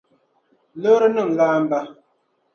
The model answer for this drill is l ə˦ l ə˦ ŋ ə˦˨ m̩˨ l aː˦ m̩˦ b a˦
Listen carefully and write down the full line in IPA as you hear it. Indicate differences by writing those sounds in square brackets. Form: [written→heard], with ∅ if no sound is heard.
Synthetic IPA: l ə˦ [l→ɾ] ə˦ [ŋ→n] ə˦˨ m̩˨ l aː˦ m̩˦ b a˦

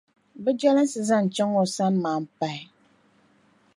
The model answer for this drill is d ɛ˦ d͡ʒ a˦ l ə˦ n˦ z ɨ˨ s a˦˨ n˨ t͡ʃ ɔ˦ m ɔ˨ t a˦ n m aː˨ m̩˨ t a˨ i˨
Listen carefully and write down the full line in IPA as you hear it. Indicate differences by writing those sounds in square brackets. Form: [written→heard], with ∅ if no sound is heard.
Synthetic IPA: [d→b] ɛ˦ d͡ʒ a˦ l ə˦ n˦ [z→s] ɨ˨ [s→z] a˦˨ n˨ t͡ʃ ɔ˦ [m→ŋ] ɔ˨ [t→s] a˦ n m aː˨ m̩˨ [t→p] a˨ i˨

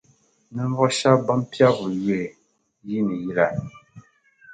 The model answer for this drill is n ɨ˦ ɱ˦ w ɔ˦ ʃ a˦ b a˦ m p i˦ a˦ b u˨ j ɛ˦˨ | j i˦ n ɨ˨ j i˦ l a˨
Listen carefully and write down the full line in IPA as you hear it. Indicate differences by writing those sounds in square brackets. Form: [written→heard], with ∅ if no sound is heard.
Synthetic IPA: n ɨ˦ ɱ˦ [w→v] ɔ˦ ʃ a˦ b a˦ m p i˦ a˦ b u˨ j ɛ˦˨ | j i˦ n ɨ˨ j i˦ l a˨

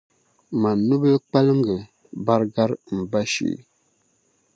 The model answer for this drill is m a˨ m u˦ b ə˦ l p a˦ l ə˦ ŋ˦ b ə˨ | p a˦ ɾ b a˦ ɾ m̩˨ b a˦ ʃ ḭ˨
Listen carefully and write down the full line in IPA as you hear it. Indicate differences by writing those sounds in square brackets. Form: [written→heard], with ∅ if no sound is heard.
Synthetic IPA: m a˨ [m→n] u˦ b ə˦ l [p→k͡p] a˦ l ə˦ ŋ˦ [b→ɡ] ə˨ | [p→b] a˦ ɾ [b→ɡ] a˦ ɾ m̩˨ b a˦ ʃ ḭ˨

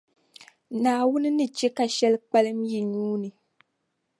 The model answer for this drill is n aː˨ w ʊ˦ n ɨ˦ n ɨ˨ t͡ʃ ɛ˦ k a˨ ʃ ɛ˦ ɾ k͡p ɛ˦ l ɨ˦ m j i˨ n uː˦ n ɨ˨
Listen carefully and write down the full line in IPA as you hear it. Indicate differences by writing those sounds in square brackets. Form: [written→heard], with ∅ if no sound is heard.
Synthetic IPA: n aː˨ w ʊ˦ n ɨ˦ n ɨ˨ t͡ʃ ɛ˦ k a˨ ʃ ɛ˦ [ɾ→l] k͡p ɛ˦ l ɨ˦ m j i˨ [n→ɲ] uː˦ n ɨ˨

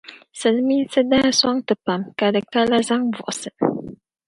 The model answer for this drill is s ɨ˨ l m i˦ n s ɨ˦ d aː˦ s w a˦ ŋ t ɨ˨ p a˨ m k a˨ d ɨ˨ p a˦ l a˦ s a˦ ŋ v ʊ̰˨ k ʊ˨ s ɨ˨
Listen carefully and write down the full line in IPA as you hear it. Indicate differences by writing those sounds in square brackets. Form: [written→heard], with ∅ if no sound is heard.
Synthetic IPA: s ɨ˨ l m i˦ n s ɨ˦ d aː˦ s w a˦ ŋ t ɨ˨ p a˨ m k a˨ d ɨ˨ [p→k] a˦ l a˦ [s→z] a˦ ŋ v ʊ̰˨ [k→ʔ] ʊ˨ s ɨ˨

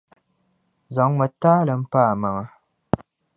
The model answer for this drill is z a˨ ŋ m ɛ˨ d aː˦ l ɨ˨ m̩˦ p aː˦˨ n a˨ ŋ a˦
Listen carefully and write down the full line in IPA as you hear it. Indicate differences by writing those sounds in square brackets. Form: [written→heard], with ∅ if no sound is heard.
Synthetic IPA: z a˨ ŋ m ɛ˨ [d→t] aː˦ l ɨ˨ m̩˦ p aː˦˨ [n→m] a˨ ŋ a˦

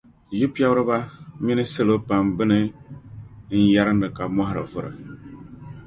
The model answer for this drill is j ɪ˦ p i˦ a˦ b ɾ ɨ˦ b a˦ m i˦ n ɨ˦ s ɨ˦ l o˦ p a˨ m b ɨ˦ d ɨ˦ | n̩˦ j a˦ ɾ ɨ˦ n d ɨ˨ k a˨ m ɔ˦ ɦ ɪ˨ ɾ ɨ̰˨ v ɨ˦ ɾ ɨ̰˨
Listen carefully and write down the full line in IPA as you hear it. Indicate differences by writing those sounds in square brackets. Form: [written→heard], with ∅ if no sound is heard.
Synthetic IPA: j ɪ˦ p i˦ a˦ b ɾ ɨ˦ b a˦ m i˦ n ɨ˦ s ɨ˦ l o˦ p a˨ m b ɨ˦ [d→n] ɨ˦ | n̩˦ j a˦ ɾ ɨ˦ n d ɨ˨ k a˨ m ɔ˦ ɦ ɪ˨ ɾ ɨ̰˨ v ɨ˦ ɾ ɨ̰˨

